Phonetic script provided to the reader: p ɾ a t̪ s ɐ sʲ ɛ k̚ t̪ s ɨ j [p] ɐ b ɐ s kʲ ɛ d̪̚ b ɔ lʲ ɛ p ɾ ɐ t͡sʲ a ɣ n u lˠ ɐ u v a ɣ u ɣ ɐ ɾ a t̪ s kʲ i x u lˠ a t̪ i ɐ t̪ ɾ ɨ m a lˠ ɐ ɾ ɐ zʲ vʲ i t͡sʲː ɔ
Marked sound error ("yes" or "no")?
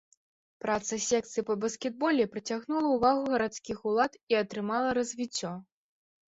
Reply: no